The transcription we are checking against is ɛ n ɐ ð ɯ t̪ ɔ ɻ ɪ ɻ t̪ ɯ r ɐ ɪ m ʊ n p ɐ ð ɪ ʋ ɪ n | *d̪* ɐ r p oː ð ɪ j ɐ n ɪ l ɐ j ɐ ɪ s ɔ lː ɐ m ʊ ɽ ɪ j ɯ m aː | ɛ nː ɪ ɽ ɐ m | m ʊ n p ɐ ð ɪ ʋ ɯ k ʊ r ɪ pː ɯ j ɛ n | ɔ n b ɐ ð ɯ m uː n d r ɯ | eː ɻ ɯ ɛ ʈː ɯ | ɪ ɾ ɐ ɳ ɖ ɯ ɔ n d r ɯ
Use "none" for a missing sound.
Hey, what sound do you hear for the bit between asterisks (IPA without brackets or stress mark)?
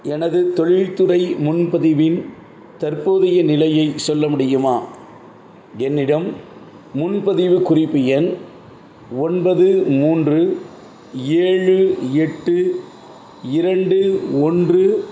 t̪